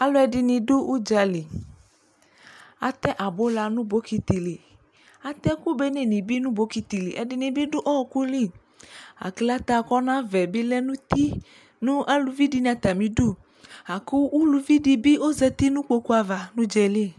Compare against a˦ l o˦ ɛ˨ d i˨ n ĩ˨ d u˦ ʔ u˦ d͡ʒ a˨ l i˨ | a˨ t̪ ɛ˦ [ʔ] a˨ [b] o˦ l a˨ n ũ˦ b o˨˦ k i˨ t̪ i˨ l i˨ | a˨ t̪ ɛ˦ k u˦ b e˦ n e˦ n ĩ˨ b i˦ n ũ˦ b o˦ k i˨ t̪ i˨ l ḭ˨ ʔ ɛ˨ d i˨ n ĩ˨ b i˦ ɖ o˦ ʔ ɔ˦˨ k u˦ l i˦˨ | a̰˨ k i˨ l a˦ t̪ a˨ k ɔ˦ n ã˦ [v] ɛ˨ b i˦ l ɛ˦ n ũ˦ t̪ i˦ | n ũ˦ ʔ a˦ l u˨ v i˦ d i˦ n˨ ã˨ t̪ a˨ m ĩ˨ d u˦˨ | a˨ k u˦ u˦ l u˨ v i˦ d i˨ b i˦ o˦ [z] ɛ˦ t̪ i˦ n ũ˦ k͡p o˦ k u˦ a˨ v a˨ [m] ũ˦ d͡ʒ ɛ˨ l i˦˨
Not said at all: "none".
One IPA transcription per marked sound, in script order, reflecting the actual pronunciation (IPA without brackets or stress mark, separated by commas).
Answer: ʔ, b, v, z, n